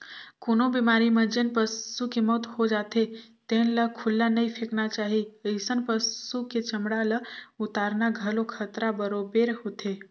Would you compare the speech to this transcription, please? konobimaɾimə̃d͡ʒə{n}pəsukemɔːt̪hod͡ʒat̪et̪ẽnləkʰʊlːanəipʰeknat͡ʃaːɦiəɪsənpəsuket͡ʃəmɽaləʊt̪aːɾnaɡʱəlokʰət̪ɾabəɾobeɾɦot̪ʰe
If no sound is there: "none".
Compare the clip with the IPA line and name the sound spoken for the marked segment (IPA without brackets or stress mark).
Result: n